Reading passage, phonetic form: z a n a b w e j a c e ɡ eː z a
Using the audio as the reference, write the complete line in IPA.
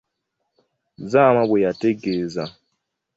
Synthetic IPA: z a m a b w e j a t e ɡ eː z a